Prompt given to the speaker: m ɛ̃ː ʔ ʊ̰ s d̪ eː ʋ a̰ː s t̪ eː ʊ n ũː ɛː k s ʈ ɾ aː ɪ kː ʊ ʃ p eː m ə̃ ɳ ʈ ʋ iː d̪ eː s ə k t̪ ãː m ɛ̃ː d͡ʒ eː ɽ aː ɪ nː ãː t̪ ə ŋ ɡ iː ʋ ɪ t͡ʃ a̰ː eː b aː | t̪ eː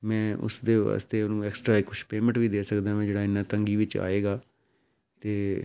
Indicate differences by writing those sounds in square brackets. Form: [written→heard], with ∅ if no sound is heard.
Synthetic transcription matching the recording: m ɛ̃ː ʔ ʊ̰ s d̪ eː ʋ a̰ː s t̪ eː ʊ n ũː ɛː k s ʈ ɾ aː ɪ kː ʊ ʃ p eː m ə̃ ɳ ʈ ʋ iː d̪ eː s ə k [t̪→d̪] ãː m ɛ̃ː d͡ʒ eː ɽ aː ɪ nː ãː t̪ ə ŋ ɡ iː ʋ ɪ t͡ʃ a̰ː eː [b→ɡ] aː | t̪ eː